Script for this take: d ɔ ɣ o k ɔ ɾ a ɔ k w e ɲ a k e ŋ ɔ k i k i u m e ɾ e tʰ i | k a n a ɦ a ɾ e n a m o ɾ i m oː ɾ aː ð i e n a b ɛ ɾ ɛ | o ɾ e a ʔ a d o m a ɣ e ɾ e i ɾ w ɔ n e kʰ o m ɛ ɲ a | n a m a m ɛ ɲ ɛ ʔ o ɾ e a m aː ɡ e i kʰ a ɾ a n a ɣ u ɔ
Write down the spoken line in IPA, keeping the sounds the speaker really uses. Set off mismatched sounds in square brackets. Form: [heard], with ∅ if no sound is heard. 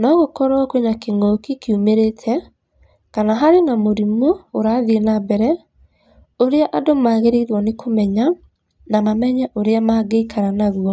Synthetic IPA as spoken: [n] ɔ ɣ o k ɔ ɾ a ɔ k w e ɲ a k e ŋ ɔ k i k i u m e ɾ e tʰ [ɛ] | k a n a ɦ a ɾ e n a m o ɾ i m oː ɾ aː ð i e n a b ɛ ɾ ɛ | o ɾ e a ʔ a d o m a ɣ e ɾ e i ɾ w ɔ n e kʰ o m ɛ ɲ a | n a m a m ɛ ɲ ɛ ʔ o ɾ e a m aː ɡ e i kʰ a ɾ a n a ɣ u ɔ